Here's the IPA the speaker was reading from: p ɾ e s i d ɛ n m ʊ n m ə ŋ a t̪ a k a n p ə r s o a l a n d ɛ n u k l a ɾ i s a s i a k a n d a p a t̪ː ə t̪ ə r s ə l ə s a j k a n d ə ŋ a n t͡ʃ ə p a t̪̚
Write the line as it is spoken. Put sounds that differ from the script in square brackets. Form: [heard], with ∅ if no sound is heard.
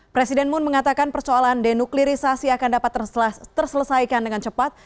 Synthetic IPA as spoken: p ɾ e s i d ɛ n m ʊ n m ə ŋ a t̪ a k a n p ə r s o a l a n d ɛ n u k l [i] ɾ i s a s i a k a n d a p a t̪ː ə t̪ ə r s ə l ə s a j k a n d ə ŋ a n t͡ʃ ə p a t̪̚